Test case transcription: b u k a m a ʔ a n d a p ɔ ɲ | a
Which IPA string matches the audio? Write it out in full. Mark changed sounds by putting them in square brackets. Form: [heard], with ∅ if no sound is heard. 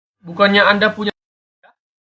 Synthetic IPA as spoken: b u k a [ɲ] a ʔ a n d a p [u] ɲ | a